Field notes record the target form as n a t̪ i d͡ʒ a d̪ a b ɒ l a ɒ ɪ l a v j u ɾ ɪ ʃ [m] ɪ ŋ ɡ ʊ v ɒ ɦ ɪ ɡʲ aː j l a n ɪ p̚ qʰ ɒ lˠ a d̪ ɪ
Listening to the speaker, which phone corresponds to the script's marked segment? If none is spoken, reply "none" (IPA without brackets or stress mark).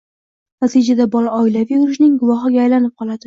n